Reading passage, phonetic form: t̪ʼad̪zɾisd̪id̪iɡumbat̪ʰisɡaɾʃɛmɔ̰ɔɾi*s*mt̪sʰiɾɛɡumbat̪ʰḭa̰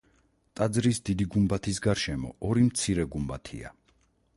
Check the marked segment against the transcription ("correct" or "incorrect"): incorrect